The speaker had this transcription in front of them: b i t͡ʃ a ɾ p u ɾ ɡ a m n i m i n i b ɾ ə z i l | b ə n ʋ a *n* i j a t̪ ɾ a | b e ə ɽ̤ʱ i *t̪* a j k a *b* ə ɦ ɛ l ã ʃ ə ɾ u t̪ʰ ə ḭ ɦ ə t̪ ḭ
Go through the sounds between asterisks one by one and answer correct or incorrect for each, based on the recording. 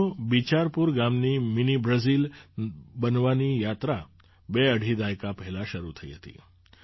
correct, incorrect: d̪, incorrect: p

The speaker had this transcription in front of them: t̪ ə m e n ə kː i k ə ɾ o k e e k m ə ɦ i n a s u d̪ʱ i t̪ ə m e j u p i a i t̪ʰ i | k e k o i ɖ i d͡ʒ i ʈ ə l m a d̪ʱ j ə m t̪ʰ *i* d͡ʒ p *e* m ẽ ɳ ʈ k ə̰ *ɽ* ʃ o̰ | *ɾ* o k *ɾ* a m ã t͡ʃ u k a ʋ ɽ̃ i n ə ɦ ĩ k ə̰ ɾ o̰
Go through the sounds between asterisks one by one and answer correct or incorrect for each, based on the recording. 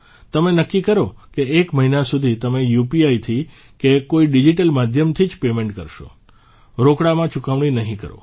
correct, correct, incorrect: ɾ, correct, incorrect: ɽ

